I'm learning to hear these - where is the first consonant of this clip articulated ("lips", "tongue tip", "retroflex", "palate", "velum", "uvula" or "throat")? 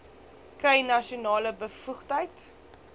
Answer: velum